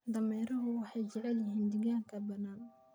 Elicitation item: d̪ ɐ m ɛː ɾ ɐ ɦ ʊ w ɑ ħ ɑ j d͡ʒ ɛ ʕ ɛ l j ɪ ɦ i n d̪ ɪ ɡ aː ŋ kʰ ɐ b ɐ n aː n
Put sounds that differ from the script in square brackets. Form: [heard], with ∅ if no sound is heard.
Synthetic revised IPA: d̪ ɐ m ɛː ɾ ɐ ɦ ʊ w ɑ ħ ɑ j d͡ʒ ɛ ʕ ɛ l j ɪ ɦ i n d̪ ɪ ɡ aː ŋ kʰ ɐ b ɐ n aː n